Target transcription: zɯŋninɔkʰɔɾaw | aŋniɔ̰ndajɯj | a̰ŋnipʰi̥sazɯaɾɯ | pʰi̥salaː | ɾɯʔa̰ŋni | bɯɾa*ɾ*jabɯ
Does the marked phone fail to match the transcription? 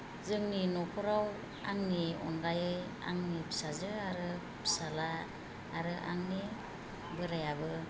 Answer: yes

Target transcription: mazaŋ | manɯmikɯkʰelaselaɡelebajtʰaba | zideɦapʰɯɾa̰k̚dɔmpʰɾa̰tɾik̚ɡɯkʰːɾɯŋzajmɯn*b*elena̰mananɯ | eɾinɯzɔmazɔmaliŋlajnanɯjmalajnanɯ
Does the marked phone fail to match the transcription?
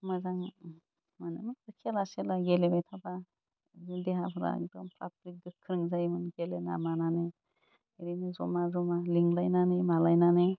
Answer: yes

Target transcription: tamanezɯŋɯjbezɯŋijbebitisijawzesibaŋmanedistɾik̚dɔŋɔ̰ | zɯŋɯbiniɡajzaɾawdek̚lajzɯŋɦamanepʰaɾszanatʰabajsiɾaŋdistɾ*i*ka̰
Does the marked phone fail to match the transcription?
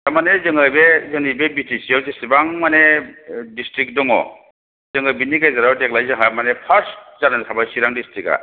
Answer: no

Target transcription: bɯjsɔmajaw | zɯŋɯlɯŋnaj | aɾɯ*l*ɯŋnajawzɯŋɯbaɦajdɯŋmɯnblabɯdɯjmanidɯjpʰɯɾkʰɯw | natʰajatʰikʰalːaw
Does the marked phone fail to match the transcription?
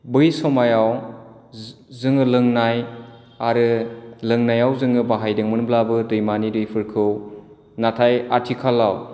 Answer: no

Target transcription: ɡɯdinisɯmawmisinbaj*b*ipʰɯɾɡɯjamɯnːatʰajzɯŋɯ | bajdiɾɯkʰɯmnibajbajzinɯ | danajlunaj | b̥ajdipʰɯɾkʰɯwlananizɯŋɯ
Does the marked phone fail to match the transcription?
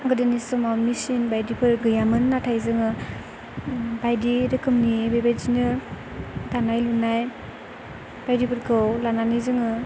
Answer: yes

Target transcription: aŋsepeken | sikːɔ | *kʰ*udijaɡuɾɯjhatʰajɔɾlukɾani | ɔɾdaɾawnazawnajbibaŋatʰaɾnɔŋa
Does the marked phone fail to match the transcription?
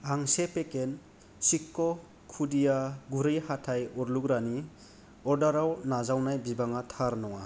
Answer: no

